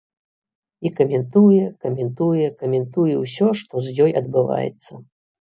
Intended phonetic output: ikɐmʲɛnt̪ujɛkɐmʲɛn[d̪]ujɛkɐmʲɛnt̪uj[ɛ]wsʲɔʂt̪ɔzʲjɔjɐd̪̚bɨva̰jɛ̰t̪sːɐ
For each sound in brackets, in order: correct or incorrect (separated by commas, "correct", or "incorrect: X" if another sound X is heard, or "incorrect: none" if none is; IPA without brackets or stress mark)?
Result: incorrect: t̪, correct